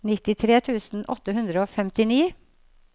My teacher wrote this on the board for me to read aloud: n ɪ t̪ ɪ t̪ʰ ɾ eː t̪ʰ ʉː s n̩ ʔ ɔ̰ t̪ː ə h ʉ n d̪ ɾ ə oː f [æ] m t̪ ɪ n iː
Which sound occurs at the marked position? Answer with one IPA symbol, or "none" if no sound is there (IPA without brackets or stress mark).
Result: ɛ